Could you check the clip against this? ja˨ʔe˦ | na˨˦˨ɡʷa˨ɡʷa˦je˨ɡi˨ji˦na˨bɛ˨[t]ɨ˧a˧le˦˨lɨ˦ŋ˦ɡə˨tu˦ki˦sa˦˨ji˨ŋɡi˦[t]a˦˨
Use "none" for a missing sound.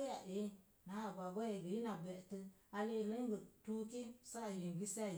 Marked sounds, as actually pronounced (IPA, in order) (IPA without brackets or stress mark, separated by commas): t, s